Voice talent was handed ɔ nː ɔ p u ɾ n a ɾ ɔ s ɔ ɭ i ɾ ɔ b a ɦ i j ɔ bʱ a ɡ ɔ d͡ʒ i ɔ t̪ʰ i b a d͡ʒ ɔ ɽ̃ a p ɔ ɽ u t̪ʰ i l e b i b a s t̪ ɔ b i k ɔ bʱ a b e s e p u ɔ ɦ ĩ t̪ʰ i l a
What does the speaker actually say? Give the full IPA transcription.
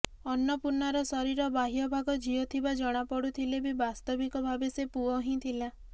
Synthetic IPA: ɔ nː ɔ p u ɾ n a ɾ ɔ s ɔ ɾ i ɾ ɔ b a ɦ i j ɔ bʱ a ɡ ɔ d͡ʒ i ɔ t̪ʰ i b a d͡ʒ ɔ ɽ̃ a p ɔ ɽ u t̪ʰ i l e b i b a s t̪ ɔ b i k ɔ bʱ a b e s e p u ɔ ɦ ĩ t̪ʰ i l a